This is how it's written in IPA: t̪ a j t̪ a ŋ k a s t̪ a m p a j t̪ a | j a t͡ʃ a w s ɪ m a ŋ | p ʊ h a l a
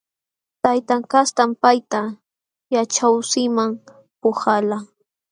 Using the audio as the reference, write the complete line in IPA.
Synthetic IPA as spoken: t̪ a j t̪ a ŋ k a s t̪ a m p a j t̪ a | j a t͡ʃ a w s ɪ m a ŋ | p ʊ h a l a